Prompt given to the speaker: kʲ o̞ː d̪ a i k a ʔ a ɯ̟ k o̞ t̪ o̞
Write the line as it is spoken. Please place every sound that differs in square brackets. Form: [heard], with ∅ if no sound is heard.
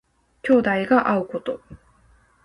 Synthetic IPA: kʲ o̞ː d̪ a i [ɡ] a ʔ a ɯ̟ k o̞ t̪ o̞